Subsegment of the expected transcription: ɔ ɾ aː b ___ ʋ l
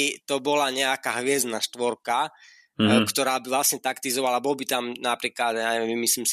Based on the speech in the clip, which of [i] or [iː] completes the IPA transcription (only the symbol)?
i